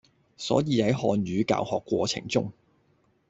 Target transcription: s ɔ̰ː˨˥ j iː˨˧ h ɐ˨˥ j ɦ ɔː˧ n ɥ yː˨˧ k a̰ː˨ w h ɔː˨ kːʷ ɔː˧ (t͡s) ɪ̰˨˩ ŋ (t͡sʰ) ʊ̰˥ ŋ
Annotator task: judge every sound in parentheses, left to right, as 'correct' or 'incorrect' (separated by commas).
incorrect, incorrect